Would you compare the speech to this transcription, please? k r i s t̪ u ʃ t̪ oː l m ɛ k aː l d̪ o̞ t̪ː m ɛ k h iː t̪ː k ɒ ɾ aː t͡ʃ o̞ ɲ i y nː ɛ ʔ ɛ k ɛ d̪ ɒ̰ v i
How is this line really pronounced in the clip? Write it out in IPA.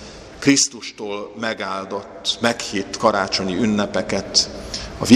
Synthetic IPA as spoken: k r i s t̪ u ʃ t̪ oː l m ɛ ɡ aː l d̪ o̞ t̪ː m ɛ k h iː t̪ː k ɒ ɾ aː t͡ʃ o̞ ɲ i y nː ɛ p ɛ k ɛ t̪ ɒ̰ v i